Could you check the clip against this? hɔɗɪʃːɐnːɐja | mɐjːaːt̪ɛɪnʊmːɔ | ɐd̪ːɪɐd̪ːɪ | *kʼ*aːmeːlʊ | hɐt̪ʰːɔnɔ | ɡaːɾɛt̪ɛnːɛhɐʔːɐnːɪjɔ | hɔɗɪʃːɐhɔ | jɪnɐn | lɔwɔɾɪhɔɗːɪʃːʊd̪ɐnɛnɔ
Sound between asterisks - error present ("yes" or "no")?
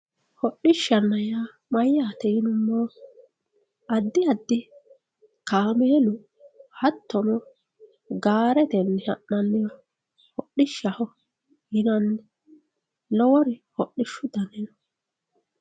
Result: yes